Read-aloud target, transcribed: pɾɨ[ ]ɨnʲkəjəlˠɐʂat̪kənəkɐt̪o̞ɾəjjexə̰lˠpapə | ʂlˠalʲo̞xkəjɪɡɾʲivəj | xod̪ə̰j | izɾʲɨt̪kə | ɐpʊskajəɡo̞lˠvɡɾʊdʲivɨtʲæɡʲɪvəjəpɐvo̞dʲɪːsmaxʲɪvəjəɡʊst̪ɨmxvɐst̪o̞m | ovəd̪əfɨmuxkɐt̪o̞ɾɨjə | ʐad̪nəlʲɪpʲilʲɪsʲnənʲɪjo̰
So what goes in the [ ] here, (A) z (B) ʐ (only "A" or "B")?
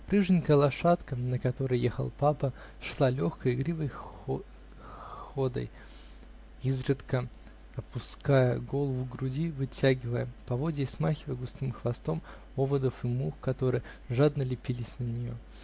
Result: B